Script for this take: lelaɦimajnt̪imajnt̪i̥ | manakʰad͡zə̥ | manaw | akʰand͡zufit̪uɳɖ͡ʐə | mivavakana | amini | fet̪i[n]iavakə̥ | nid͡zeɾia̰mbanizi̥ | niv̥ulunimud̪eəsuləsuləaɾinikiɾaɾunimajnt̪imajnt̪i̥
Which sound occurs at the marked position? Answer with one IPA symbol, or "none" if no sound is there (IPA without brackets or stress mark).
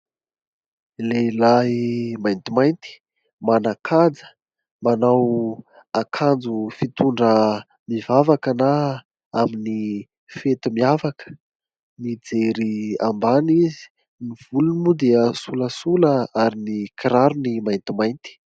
m